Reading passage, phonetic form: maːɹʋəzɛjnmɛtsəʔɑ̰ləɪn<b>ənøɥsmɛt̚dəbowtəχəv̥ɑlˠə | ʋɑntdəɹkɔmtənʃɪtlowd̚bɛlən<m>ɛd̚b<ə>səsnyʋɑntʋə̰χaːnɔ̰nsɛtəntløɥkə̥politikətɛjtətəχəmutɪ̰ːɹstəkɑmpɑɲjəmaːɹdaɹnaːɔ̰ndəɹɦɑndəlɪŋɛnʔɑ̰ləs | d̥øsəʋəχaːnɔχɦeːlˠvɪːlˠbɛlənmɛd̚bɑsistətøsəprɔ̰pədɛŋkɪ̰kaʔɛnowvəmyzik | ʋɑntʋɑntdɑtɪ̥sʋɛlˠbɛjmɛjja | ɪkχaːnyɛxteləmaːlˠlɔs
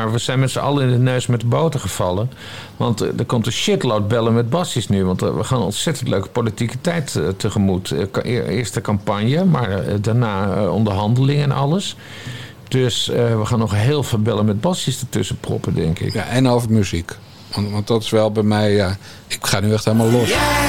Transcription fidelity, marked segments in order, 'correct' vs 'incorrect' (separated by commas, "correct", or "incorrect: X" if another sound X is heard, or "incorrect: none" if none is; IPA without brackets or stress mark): incorrect: d, correct, incorrect: ɑ